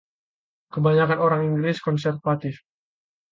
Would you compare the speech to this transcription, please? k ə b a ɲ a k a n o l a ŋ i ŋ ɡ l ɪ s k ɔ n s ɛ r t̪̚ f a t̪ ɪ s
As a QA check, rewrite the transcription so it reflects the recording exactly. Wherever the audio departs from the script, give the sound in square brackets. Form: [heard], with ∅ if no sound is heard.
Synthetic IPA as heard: k ə b a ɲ a k a n o [ɾ] a ŋ i ŋ ɡ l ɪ s k ɔ n s ɛ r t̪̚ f a t̪ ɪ [f]